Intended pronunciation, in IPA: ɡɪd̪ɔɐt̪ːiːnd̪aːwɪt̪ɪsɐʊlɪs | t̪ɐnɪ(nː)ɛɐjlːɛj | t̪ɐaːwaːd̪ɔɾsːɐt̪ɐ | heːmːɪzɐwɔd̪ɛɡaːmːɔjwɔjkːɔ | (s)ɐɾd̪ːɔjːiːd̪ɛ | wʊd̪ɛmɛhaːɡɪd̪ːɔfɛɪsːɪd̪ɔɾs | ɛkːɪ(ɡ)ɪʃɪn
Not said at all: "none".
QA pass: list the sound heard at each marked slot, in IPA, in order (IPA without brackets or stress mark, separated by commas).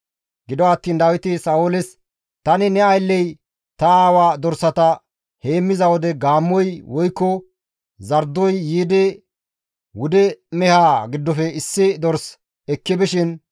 n, z, b